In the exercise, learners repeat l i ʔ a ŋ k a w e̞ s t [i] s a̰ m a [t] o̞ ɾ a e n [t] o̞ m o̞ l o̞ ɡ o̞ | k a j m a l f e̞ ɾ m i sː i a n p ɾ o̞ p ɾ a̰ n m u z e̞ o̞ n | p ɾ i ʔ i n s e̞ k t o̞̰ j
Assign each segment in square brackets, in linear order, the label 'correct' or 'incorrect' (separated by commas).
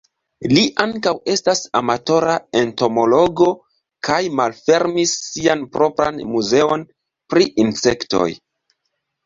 incorrect, correct, correct